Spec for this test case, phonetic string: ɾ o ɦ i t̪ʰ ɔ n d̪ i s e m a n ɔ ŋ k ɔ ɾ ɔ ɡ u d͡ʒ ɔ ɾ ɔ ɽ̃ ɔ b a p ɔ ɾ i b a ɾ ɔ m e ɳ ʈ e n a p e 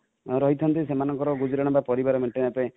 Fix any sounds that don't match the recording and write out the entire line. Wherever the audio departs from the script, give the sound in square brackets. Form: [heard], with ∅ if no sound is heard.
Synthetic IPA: ɾ [ɔ] ɦ i t̪ʰ ɔ n [t̪] i s e m a n ɔ ŋ k ɔ ɾ ɔ ɡ u d͡ʒ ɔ ɾ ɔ ɽ̃ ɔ b a p ɔ ɾ i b a ɾ ɔ m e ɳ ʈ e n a p e